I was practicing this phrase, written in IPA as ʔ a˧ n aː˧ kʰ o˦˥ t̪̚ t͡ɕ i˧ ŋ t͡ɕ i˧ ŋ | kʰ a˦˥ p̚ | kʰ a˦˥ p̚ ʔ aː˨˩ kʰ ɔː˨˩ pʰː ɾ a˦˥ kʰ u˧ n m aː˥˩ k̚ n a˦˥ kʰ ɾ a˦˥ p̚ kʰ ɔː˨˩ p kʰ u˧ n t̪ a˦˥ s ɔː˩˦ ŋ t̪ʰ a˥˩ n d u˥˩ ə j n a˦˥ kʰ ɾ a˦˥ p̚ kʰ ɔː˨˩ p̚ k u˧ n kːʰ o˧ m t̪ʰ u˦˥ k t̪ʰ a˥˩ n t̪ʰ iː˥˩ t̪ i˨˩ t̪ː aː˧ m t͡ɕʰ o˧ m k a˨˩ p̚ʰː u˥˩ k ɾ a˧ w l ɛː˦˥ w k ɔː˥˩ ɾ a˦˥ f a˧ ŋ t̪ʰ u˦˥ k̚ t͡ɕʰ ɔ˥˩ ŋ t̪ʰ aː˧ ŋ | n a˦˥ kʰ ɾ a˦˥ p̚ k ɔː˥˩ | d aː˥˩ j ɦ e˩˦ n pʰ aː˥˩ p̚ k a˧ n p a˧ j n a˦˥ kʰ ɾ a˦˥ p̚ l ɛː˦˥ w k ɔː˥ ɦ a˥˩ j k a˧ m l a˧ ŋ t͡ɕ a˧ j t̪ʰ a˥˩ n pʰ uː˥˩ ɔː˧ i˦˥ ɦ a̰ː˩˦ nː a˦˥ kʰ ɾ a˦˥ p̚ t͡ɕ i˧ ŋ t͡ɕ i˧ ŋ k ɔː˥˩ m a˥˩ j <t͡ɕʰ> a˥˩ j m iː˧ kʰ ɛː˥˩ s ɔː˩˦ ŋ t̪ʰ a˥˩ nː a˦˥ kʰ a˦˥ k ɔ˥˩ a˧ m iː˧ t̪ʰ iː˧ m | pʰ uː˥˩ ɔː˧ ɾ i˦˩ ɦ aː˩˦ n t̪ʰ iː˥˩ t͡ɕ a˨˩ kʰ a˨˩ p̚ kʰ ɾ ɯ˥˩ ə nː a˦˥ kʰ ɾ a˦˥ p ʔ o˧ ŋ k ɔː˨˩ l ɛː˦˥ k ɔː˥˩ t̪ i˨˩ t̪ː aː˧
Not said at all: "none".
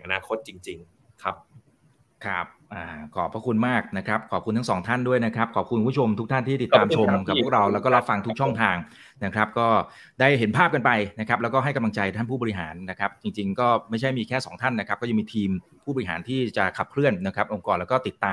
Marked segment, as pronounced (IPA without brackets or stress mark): t͡ɕʰ